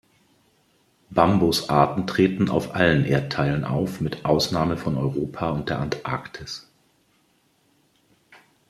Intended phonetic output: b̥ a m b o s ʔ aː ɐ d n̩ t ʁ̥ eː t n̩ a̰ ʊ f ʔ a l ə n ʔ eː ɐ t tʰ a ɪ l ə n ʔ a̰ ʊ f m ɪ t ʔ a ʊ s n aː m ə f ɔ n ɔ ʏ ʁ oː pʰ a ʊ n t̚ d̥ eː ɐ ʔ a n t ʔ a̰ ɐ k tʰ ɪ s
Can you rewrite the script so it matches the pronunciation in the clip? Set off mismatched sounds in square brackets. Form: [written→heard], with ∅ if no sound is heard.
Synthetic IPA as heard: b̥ a m b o s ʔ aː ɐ [d→t] n̩ t ʁ̥ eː t n̩ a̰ ʊ f ʔ a l ə n ʔ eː ɐ t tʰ a ɪ l ə n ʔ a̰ ʊ f m ɪ t ʔ a ʊ s n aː m ə f ɔ n ɔ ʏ ʁ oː pʰ a ʊ n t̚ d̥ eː ɐ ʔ a n t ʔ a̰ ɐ k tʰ ɪ s